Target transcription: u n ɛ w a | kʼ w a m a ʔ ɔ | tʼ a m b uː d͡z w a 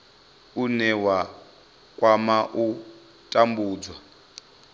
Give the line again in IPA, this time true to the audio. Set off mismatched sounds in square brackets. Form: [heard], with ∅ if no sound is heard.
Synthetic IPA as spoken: u n ɛ w a | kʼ w a m a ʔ [u] | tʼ a m b uː d͡z w a